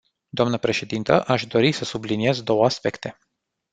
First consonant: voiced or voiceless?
voiced